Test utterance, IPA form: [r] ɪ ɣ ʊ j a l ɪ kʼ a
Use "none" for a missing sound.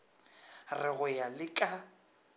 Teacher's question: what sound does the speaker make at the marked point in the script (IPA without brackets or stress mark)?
r